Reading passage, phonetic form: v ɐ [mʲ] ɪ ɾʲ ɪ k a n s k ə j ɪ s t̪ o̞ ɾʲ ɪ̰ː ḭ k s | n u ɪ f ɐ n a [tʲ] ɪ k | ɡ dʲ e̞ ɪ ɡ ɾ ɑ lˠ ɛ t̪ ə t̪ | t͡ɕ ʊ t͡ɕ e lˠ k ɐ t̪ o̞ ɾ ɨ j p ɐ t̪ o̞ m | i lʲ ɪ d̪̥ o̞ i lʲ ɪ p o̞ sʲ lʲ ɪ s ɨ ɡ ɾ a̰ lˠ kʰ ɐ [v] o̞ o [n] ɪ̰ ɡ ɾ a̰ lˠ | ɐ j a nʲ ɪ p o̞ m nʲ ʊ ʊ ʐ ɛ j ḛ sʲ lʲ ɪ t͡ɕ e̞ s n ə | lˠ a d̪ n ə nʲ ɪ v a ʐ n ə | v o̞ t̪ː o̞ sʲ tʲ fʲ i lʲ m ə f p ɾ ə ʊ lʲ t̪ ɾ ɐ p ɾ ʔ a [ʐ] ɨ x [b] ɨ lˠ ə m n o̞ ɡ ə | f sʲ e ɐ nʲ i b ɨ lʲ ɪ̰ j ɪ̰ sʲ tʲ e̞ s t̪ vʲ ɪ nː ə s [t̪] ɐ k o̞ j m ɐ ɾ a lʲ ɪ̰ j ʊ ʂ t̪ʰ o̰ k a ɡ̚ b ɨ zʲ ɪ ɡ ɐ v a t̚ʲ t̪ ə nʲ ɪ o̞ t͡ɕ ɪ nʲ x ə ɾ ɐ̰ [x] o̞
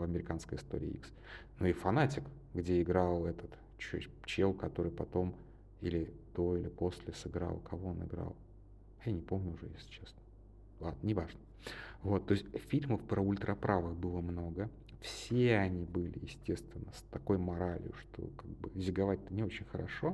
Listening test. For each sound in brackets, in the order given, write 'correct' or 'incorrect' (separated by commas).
correct, correct, correct, correct, incorrect, correct, correct, incorrect